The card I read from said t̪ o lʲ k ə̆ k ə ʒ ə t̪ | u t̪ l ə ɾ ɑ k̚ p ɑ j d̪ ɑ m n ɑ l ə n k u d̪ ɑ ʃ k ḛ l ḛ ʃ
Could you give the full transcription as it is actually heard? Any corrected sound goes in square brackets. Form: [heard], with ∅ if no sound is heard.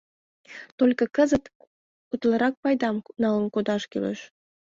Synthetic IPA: t̪ o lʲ k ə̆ k ə [z] ə t̪ | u t̪ l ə ɾ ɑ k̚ p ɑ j d̪ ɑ m n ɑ l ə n k [o] d̪ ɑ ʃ k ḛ l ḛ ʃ